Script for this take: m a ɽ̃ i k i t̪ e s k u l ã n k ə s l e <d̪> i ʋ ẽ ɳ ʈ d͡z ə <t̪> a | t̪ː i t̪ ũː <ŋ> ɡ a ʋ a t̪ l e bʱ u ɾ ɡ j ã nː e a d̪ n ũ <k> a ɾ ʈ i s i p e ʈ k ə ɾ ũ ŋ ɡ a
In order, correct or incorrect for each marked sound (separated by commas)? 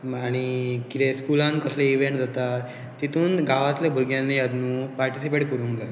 incorrect, correct, incorrect, incorrect